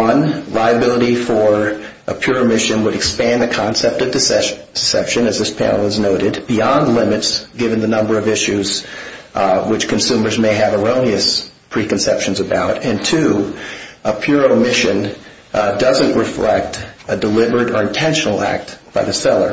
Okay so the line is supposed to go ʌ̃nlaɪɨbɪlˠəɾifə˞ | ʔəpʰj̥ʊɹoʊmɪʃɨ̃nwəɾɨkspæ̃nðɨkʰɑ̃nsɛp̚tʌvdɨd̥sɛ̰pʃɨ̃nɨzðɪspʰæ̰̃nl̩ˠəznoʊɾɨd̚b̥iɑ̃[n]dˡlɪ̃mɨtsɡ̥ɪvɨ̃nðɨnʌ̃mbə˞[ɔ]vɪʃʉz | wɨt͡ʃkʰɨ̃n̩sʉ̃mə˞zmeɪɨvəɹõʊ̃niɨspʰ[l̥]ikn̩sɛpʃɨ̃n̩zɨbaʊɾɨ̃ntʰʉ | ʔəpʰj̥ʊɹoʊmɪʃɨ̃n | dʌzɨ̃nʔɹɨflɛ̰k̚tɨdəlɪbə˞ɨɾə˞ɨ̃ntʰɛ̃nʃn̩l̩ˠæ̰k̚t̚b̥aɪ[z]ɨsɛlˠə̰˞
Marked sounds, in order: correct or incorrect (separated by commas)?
correct, incorrect, incorrect, incorrect